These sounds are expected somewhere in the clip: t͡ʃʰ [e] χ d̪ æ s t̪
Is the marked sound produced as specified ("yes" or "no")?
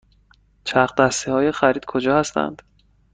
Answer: no